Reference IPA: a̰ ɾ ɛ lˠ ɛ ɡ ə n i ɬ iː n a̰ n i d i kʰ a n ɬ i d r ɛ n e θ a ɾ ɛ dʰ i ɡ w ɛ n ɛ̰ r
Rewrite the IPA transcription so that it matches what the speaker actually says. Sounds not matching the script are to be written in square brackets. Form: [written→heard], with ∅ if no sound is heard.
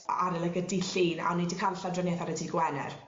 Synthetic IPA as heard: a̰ ɾ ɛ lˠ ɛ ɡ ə [n→d] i ɬ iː n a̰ n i d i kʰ a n ɬ [i→a] d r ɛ n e θ a ɾ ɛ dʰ i ɡ w ɛ n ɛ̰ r